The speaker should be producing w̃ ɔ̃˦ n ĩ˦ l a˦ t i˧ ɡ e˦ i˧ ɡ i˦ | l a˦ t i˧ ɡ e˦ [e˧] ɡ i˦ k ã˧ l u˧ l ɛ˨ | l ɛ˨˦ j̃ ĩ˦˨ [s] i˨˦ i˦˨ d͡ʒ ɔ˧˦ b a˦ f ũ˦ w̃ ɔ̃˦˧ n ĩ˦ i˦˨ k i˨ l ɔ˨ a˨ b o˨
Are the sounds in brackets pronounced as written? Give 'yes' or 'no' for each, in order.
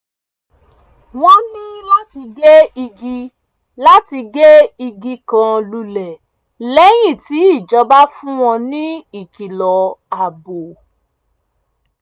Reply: no, no

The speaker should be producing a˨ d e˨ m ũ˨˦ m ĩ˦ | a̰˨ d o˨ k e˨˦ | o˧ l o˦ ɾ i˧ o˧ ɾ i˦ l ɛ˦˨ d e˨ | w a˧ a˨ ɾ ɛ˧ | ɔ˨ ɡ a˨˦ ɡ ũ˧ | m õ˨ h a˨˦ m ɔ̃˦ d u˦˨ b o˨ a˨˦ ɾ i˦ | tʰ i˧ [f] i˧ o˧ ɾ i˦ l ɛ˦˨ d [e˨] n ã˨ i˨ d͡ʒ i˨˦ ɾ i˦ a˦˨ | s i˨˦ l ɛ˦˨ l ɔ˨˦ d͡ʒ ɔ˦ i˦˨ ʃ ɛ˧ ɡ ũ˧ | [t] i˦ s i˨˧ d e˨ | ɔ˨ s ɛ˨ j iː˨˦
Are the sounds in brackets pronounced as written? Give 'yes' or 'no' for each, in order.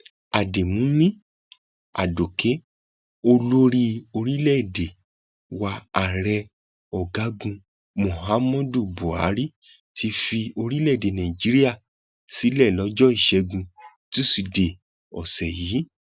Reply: yes, yes, yes

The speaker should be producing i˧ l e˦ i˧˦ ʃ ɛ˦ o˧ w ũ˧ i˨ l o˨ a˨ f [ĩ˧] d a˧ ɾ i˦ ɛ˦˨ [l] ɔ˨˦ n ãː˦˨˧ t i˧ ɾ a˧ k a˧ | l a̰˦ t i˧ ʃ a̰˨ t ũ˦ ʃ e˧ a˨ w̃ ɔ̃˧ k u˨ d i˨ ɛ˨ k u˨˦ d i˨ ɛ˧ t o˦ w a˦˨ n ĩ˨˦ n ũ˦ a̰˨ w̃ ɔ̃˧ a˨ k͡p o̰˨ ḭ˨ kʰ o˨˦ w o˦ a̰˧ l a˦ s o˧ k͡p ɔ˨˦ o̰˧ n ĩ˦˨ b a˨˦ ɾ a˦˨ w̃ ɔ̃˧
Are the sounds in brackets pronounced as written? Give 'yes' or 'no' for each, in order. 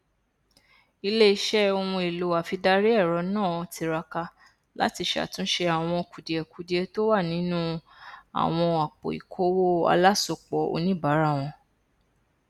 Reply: no, no

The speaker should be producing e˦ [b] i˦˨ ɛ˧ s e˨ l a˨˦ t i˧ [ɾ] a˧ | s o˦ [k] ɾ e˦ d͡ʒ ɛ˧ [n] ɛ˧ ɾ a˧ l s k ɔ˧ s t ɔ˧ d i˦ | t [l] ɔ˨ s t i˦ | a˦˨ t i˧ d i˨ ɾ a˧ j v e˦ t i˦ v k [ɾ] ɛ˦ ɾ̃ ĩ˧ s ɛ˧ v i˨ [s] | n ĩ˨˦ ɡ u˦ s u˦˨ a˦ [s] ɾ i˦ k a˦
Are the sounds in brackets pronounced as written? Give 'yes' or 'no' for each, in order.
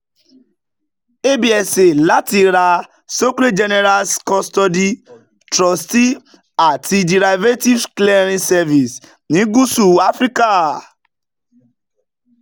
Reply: yes, yes, yes, yes, no, no, yes, no

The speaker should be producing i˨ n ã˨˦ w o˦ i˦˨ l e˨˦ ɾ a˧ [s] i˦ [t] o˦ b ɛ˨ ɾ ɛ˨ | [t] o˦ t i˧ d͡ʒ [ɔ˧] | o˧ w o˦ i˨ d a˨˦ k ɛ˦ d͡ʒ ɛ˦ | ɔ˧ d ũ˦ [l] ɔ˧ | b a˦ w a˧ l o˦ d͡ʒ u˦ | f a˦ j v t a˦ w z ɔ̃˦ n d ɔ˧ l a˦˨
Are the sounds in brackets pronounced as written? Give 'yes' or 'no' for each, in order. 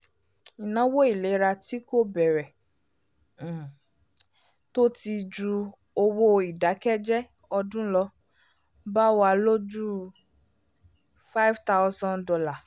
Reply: no, no, yes, no, yes

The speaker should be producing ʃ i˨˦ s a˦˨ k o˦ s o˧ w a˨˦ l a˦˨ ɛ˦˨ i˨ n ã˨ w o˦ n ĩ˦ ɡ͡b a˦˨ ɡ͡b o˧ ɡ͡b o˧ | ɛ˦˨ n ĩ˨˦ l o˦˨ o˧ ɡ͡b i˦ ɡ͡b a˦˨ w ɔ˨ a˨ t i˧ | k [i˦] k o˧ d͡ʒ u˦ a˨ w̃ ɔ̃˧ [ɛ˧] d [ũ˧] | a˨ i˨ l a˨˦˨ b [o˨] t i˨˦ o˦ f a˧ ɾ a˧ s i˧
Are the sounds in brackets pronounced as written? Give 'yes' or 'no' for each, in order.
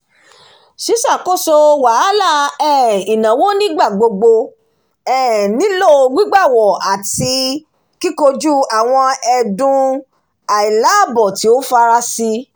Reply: yes, yes, yes, no

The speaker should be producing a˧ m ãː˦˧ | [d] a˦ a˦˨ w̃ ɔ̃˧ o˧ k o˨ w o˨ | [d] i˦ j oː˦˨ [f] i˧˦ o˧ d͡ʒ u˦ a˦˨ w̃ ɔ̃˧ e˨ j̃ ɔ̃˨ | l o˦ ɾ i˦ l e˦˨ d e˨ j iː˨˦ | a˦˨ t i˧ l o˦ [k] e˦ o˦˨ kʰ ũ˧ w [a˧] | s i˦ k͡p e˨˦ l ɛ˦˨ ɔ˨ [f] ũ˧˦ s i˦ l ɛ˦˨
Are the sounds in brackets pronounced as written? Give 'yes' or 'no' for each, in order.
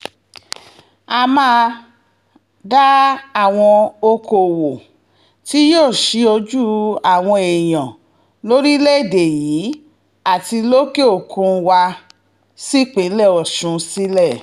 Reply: yes, no, no, yes, yes, no

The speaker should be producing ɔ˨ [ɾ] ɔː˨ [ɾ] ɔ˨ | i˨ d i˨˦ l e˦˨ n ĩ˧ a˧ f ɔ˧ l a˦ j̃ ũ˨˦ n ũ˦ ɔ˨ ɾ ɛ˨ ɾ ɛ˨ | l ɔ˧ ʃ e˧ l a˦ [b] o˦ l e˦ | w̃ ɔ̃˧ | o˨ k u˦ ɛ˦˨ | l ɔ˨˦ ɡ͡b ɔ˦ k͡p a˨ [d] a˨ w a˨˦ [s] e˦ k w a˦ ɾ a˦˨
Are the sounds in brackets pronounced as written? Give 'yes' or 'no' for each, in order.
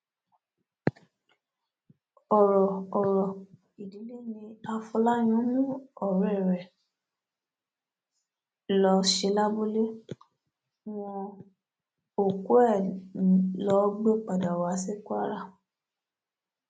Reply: yes, yes, yes, yes, yes

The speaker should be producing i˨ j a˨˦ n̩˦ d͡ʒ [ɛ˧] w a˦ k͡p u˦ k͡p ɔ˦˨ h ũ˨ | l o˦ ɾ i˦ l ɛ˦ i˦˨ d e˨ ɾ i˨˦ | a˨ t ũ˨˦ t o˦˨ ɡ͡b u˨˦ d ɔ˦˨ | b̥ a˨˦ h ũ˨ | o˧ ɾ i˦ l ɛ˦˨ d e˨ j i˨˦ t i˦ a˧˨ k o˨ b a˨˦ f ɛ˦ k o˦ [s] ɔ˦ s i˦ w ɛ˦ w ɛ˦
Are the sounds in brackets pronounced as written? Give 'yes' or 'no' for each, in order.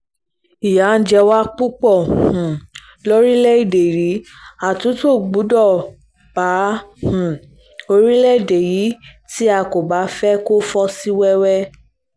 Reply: yes, no

